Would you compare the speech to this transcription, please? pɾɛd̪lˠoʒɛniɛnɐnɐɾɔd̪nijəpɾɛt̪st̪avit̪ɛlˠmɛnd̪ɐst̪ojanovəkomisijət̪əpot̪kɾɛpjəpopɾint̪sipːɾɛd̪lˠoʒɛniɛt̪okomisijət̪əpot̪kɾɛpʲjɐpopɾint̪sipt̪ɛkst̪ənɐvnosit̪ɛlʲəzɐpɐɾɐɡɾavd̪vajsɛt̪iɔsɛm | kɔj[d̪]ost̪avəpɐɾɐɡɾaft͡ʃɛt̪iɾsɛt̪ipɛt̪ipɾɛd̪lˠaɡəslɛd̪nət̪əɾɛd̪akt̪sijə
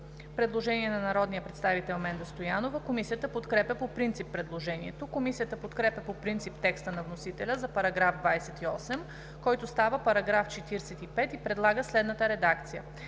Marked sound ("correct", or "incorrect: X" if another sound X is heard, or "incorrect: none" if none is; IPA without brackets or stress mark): incorrect: t̪